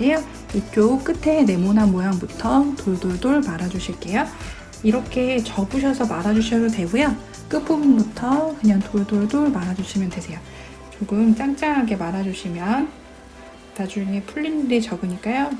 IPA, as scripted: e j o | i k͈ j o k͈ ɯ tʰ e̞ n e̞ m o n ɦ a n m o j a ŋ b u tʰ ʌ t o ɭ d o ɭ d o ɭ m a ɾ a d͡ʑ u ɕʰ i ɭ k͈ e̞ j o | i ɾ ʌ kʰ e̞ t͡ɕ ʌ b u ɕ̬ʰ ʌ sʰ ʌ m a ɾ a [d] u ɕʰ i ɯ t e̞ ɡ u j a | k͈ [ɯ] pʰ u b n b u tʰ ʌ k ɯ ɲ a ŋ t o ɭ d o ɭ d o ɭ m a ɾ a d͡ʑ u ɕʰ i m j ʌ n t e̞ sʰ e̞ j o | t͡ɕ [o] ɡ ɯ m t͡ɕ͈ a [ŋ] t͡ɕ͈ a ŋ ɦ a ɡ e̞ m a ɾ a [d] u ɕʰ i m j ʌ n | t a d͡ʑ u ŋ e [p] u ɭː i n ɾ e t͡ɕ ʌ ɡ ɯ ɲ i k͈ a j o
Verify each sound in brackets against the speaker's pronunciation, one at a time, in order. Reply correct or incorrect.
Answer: incorrect: d͡ʑ, correct, correct, correct, incorrect: d͡ʑ, incorrect: pʰ

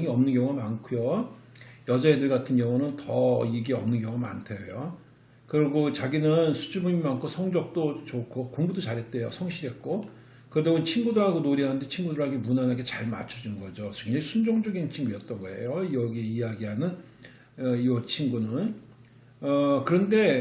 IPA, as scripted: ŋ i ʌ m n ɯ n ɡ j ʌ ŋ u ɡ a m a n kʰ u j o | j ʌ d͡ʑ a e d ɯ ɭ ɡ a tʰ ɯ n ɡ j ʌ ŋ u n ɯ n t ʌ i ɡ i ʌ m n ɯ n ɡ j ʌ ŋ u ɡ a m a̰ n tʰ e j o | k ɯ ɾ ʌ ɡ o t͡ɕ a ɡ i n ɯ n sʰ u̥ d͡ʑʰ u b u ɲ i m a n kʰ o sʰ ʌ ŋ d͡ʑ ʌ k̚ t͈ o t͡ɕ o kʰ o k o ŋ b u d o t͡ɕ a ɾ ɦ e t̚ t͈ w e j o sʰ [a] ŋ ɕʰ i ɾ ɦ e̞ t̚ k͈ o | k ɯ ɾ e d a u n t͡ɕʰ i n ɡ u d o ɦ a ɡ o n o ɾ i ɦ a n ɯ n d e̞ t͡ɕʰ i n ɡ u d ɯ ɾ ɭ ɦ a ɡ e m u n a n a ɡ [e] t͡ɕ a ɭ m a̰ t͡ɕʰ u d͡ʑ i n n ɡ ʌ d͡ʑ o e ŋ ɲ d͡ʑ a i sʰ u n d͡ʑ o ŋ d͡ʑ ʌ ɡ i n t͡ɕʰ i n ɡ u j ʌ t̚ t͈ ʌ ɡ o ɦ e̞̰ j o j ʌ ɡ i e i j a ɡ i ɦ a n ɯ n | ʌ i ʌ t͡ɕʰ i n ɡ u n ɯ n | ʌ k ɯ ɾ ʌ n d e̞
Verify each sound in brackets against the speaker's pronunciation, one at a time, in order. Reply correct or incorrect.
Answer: incorrect: ʌ, correct

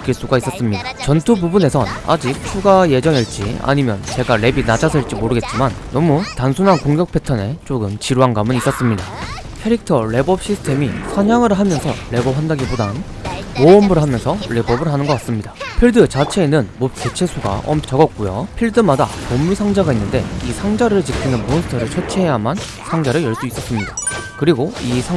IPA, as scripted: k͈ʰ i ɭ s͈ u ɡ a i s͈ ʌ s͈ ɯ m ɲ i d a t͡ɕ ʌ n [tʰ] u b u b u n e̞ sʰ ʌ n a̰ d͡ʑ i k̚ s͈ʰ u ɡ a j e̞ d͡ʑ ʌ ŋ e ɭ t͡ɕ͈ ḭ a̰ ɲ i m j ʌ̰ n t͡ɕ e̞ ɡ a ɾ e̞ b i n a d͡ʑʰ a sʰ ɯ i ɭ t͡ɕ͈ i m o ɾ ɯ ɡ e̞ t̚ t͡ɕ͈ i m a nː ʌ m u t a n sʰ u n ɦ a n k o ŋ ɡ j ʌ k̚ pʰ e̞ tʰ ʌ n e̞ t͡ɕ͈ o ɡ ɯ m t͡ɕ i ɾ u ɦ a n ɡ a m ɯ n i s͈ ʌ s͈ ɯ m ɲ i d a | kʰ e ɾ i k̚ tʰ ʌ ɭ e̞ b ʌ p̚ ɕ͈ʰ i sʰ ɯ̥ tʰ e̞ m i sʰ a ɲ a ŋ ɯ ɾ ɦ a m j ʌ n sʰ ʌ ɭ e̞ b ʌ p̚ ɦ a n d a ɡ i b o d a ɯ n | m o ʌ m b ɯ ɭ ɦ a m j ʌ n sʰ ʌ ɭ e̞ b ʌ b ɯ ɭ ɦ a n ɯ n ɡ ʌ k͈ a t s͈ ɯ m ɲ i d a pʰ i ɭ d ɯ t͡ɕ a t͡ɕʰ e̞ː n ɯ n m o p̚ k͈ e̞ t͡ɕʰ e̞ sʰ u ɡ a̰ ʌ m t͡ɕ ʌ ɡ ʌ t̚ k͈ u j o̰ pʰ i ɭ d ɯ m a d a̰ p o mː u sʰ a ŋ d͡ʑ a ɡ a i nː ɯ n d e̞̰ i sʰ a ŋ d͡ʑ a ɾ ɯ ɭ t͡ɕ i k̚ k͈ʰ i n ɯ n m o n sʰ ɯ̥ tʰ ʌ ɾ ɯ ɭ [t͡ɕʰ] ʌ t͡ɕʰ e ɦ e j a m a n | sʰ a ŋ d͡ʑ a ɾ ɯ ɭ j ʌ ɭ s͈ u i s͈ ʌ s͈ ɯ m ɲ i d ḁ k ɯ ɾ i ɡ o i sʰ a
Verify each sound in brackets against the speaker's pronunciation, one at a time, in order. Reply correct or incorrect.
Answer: correct, correct

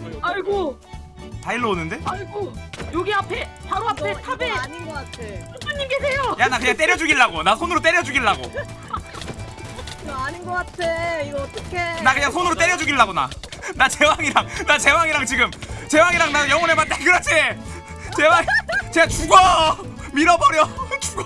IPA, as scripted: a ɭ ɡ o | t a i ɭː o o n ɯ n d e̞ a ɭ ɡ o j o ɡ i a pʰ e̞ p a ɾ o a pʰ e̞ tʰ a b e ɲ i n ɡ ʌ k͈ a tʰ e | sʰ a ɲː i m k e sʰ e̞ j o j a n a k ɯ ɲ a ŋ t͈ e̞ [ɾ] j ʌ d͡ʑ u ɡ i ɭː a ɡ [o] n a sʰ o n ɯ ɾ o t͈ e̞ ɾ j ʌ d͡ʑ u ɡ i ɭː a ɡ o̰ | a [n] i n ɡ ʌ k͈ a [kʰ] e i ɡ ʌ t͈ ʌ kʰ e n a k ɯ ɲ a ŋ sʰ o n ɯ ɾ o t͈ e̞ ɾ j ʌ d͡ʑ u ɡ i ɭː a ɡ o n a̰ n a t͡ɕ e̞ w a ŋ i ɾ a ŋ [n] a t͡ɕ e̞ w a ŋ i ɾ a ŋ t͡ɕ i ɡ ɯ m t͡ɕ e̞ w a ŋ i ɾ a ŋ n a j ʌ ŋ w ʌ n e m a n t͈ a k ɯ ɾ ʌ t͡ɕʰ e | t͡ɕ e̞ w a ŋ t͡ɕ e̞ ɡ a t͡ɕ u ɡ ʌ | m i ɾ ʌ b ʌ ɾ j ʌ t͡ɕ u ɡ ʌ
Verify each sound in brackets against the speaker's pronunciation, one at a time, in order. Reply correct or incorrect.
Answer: correct, correct, incorrect: ɲ, incorrect: tʰ, correct

